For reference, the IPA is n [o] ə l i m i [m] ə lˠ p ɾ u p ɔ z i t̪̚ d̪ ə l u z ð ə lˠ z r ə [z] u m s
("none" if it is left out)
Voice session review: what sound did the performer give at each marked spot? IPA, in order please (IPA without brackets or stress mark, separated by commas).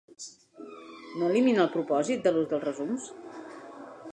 o, n, z